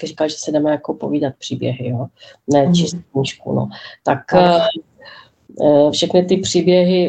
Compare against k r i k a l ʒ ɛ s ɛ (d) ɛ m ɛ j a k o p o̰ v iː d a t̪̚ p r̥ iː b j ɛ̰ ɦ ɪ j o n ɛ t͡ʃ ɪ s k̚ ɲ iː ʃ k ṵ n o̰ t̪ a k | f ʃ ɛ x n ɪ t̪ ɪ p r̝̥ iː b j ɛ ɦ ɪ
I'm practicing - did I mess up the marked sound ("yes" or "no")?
no